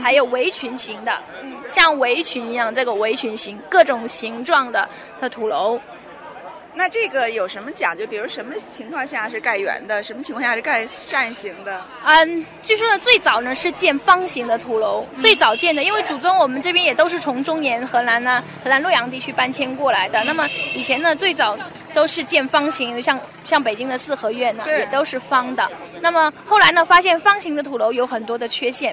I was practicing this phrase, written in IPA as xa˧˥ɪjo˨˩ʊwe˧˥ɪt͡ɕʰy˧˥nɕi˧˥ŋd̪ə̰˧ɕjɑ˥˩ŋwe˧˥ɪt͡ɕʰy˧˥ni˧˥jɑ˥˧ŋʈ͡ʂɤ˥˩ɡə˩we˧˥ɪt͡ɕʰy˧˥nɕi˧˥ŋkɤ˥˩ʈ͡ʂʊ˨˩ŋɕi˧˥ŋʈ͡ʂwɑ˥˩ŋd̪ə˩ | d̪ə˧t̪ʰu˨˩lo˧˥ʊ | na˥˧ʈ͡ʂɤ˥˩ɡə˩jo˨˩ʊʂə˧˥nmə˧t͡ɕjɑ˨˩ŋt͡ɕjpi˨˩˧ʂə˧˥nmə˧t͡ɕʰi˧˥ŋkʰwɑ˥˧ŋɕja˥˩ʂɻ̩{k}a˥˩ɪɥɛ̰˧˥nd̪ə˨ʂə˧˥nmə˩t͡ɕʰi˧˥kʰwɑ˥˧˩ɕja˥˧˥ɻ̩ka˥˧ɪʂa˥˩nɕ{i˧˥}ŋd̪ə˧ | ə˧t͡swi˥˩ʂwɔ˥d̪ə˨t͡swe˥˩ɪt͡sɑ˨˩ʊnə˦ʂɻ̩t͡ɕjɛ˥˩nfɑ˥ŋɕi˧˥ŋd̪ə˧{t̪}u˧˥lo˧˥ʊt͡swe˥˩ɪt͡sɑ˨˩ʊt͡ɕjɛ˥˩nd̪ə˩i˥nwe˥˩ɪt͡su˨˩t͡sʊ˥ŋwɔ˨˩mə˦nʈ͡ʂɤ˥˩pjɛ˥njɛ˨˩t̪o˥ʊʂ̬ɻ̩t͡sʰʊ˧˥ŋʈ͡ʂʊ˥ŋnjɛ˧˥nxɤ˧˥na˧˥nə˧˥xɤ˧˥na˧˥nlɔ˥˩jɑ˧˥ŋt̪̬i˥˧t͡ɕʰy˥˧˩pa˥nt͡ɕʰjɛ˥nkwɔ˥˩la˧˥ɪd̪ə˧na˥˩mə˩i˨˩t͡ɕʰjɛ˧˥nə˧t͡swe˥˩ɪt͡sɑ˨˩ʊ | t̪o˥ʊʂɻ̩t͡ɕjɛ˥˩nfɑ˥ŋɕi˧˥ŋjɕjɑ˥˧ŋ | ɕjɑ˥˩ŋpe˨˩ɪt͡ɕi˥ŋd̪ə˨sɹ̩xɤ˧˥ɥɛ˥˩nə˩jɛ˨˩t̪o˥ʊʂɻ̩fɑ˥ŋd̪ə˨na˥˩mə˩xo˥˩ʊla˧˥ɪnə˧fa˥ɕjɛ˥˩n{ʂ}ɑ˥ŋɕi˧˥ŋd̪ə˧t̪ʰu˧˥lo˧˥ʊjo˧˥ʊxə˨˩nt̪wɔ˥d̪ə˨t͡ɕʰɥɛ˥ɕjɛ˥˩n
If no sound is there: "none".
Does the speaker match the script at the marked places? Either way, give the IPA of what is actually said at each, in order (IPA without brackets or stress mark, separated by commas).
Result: k, i˧˥, t̪ʰ, f